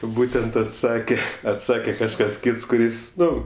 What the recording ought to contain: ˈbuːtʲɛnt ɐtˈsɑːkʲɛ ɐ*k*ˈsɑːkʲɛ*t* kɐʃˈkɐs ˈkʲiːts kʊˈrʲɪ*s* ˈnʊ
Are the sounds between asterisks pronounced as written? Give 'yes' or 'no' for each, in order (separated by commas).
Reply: no, no, yes